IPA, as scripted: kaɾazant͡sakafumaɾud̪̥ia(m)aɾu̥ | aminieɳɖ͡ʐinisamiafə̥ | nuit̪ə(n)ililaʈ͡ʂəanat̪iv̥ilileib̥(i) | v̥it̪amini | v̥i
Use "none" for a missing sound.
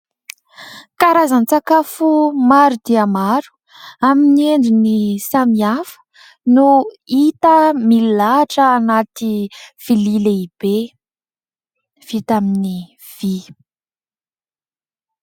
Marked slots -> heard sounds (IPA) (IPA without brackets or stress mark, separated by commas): m, m, e